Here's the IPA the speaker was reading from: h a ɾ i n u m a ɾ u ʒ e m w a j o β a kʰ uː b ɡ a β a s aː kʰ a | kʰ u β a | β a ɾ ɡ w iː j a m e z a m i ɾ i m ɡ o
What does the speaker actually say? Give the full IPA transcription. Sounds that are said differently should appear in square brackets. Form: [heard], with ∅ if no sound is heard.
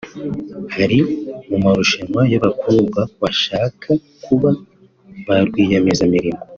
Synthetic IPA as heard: h a ɾ i [m] u m a ɾ u [ʃ] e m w a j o β a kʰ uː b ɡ a β a [ʃ] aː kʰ a | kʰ u β a | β a ɾ ɡ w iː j a m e z a m i ɾ i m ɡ o